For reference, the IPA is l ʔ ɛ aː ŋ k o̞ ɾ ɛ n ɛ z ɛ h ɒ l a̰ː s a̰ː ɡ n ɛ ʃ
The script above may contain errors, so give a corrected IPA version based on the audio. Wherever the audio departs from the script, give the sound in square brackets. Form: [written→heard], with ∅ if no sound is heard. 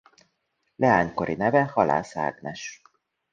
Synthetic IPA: l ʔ ɛ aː [ŋ→ɲ] k o̞ ɾ [ɛ→i] n ɛ [z→v] ɛ h ɒ l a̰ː s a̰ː ɡ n ɛ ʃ